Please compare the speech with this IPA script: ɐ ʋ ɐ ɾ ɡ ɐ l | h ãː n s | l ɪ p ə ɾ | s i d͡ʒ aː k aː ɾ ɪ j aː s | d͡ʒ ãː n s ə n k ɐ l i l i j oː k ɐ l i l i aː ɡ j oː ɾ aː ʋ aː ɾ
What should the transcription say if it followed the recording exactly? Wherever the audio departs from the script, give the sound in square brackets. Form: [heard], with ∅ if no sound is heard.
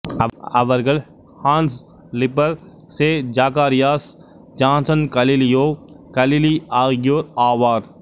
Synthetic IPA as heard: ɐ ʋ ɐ ɾ ɡ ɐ l | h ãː n s | l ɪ p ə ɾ | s [e] d͡ʒ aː k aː ɾ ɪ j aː s | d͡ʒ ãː n s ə n k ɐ l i l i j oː k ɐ l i l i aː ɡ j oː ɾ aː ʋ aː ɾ